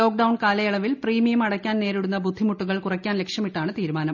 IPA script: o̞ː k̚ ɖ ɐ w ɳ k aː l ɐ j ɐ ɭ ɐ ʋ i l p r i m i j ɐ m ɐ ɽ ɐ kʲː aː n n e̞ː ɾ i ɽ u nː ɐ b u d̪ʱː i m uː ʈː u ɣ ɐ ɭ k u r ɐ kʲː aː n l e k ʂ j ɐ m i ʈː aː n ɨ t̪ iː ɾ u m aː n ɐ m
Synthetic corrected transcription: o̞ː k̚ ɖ ɐ w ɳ k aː l ɐ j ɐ ɭ ɐ ʋ i l p r iː m i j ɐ m ɐ ɽ ɐ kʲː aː n n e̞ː ɾ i ɽ u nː ɐ b u d̪ʱː i m u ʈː u ɣ ɐ ɭ k u r ɐ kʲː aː n l e k ʂ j ɐ m i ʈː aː ɳ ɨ t̪ iː ɾ u m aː n ɐ m

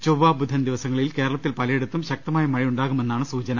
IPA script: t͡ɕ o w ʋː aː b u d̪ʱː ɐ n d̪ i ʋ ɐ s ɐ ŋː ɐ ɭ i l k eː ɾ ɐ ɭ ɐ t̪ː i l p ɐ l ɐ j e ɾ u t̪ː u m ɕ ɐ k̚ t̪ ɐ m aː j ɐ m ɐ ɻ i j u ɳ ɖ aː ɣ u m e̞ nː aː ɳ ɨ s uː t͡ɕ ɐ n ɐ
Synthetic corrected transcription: t͡ɕ o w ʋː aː b u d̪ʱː ɐ n d̪ i ʋ ɐ s ɐ ŋː ɐ ɭ i l k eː ɾ ɐ ɭ ɐ t̪ː i l p ɐ l ɐ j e ɽ u t̪ː u m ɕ ɐ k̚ t̪ ɐ m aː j ɐ m ɐ ɻ i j u ɳ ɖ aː ɣ u m e̞ nː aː ɳ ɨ s uː t͡ɕ ɐ n ɐ

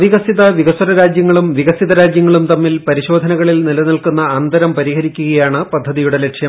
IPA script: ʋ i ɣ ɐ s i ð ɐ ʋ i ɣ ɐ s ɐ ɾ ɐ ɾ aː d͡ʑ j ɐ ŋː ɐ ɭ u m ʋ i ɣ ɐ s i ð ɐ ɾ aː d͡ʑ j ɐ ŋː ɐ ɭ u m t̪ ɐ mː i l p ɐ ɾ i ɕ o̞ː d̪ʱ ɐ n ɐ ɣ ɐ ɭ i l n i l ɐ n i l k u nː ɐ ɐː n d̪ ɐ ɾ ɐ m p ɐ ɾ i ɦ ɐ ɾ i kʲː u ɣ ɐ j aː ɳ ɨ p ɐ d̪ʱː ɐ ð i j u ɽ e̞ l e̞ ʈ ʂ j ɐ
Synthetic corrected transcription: ʋ i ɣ ɐ s i ð ɐ ʋ i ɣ ɐ s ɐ ɾ ɐ ɾ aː d͡ʑ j ɐ ŋː ɐ ɭ u m ʋ i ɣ ɐ s i ð ɐ ɾ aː d͡ʑ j ɐ ŋː ɐ ɭ u m t̪ ɐ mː i l p ɐ ɾ i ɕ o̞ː d̪ʱ ɐ n ɐ ɣ ɐ ɭ i l n i l ɐ n i l k u nː ɐ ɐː n d̪ ɐ ɾ ɐ m p ɐ ɾ i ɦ ɐ ɾ i kʲː u ɣ ɐ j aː ɳ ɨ p ɐ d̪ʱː ɐ ð i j u ɽ e̞ l e̞ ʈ ʂ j ɐ

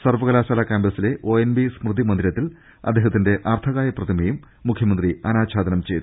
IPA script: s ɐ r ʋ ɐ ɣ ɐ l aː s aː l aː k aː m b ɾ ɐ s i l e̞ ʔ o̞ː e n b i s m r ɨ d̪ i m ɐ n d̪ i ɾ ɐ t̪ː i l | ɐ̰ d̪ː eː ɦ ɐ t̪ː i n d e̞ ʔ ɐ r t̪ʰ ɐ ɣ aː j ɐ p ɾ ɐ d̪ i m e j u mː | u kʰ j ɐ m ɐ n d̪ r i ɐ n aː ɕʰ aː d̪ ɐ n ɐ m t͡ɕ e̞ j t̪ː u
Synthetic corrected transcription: s ɐ r ʋ ɐ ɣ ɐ l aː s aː l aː k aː m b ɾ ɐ s i l e̞ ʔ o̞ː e n b i s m r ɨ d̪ i m ɐ n d̪ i ɾ ɐ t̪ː i l | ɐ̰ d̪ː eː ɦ ɐ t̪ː i n d e̞ ʔ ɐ r t̪ʰ ɐ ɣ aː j ɐ p r ɐ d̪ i m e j u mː | u kʰ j ɐ m ɐ n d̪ r i ɐ n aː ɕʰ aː d̪ ɐ n ɐ m t͡ɕ e̞ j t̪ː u

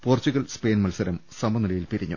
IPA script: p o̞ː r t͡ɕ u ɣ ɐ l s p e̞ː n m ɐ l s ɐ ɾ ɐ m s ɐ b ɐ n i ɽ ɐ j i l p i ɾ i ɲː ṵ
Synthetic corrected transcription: p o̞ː r t͡ɕ u ɣ ɐ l s p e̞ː n m ɐ l s ɐ ɾ ɐ m s ɐ m ɐ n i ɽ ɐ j i l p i ɾ i ɲː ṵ

